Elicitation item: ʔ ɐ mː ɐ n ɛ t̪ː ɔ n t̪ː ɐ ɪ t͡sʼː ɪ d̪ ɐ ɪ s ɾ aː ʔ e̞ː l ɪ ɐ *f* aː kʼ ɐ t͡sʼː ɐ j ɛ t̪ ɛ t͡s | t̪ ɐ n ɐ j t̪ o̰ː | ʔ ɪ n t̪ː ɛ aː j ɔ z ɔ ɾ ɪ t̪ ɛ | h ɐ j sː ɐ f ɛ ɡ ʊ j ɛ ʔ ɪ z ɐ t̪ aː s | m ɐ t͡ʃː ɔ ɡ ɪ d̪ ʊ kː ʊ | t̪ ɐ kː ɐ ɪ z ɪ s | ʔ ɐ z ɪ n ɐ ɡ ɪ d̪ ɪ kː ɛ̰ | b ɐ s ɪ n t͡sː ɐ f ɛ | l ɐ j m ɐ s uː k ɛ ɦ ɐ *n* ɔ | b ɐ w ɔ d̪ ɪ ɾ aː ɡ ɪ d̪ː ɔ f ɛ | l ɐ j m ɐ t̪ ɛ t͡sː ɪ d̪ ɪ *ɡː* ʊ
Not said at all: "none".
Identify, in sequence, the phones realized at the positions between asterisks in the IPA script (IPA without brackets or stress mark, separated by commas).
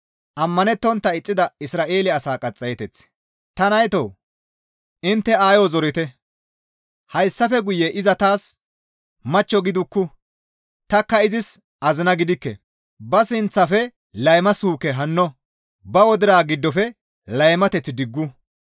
s, nː, ɡː